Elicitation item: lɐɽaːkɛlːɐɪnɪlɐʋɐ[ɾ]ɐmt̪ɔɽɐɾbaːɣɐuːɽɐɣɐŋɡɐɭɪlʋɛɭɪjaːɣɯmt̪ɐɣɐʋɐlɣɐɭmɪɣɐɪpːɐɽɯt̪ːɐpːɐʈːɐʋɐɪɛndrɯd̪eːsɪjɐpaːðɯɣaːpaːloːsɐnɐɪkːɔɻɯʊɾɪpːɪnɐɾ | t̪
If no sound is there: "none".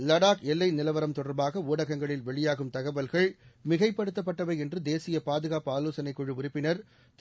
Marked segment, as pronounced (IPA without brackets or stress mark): ɾ